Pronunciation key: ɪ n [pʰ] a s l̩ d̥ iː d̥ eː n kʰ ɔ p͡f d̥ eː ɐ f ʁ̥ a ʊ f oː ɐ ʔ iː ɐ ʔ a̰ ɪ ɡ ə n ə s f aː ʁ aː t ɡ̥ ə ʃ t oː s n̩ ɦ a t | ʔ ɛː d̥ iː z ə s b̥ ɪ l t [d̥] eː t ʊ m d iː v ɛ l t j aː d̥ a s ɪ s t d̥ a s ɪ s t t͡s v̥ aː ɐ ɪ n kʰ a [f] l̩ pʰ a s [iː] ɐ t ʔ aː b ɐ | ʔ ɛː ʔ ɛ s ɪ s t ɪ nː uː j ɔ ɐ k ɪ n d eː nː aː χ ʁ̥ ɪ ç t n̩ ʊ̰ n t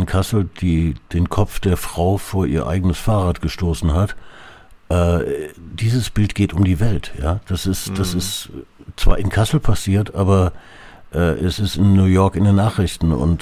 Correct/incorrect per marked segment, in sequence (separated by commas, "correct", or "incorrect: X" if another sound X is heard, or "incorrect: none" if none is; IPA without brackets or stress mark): incorrect: kʰ, incorrect: ɡ̥, incorrect: s, correct